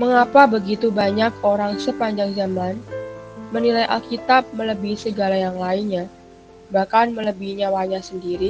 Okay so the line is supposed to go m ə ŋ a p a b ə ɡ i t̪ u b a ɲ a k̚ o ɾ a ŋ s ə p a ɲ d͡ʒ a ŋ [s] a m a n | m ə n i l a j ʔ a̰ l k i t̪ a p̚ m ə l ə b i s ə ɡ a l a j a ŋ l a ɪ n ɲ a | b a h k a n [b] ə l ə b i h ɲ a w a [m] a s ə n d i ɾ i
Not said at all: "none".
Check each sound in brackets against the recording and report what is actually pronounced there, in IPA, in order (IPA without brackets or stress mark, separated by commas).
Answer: z, m, ɲ